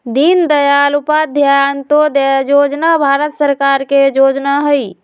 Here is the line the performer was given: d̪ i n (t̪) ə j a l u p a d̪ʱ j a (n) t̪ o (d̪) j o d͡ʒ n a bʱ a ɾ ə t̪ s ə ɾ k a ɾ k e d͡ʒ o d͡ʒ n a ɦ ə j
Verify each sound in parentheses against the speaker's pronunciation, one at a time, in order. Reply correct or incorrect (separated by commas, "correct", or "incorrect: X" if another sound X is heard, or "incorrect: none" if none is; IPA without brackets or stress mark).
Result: incorrect: d̪, correct, correct